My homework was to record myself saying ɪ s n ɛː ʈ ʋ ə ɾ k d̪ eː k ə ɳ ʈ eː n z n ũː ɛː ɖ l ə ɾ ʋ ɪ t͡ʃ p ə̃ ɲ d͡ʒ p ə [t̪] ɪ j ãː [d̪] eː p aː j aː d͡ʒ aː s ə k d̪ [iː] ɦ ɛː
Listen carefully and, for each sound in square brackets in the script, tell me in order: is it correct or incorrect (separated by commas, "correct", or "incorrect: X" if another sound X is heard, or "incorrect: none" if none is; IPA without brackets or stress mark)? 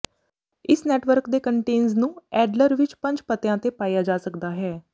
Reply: correct, incorrect: t̪, incorrect: aː